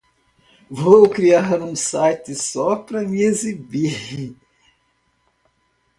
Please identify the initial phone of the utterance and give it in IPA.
v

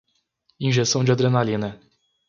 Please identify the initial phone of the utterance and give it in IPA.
ĩ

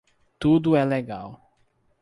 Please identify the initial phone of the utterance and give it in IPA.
t̪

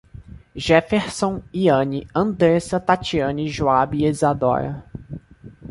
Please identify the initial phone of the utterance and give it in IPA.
ʒ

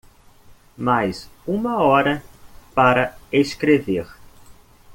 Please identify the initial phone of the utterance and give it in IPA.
m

